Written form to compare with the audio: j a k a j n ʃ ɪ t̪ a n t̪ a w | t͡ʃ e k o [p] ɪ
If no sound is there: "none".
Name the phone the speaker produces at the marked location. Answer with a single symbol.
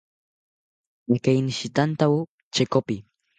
p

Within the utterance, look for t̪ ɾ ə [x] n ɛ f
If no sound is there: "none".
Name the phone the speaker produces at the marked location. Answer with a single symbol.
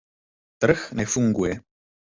x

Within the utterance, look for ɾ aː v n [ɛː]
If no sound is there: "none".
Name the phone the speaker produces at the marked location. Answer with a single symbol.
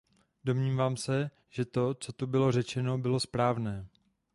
ɛː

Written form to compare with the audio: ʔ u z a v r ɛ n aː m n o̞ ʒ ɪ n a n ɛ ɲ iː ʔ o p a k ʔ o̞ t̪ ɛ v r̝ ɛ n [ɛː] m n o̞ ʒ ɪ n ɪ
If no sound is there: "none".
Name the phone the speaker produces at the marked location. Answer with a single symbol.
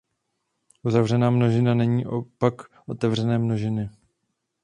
ɛː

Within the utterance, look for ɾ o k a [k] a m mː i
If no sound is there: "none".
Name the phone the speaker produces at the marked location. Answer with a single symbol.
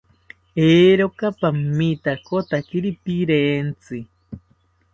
p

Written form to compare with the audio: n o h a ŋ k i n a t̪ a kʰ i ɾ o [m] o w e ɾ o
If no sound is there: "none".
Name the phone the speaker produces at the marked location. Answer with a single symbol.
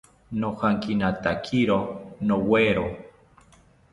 n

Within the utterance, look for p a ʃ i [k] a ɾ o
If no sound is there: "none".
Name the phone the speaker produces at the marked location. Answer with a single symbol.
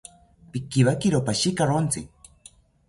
k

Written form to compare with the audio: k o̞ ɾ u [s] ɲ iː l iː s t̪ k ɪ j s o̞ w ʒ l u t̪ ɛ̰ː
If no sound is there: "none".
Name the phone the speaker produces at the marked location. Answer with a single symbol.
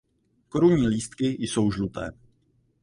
none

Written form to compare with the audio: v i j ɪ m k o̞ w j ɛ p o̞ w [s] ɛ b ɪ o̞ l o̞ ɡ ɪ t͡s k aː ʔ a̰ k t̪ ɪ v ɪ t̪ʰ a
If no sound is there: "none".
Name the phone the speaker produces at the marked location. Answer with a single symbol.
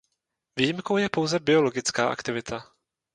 z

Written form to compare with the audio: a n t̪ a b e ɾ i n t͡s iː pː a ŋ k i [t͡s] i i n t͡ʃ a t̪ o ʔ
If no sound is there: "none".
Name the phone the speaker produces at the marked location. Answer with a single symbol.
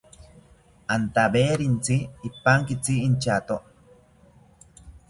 t͡s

